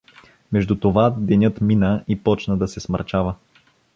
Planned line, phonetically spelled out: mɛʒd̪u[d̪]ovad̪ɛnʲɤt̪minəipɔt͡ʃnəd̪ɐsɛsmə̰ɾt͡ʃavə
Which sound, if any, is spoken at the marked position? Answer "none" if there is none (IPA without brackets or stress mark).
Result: t̪